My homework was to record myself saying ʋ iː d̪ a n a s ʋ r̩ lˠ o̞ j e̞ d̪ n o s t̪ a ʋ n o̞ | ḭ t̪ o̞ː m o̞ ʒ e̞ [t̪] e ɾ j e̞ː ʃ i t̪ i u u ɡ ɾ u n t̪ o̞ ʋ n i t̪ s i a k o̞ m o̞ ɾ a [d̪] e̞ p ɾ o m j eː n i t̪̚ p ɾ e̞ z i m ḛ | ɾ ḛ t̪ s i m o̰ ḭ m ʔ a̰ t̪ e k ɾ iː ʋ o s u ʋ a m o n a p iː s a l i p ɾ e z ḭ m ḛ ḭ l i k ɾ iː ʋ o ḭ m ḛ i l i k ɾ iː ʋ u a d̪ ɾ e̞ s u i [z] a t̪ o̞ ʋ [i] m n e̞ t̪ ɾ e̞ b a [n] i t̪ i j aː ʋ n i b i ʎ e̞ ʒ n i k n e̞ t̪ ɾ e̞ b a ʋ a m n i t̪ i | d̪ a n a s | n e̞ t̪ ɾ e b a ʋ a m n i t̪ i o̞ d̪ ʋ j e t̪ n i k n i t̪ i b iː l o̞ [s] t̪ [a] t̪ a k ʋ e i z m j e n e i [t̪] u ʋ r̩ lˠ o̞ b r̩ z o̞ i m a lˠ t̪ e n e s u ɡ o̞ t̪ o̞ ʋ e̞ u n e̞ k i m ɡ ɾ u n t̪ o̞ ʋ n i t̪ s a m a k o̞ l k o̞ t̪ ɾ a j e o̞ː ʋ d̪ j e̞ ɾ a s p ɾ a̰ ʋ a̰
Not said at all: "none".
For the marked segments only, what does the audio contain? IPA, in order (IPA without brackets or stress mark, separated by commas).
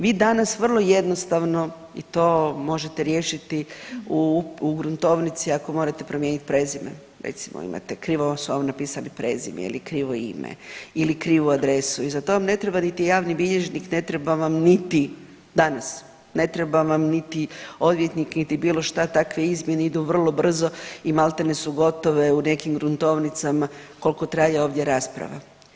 t̪, t̪, z, a, n, ʃ, a, d̪